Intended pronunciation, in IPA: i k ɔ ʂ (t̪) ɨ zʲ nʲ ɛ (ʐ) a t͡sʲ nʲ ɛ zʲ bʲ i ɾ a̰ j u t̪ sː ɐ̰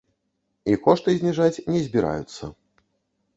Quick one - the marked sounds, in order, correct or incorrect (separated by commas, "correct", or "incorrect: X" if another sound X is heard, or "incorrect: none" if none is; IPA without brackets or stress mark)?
correct, correct